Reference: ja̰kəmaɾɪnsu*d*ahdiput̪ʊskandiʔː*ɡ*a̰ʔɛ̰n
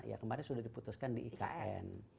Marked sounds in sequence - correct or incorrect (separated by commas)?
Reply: correct, incorrect